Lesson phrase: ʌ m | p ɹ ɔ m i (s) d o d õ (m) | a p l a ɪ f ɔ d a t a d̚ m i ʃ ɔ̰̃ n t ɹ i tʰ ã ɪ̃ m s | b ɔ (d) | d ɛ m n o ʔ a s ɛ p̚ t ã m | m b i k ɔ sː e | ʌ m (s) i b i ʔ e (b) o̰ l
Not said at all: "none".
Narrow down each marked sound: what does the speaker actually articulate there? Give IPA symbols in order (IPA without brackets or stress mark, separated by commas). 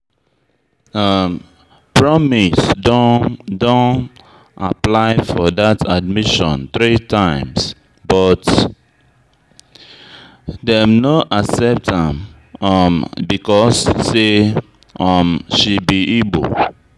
s, n, t, ʃ, b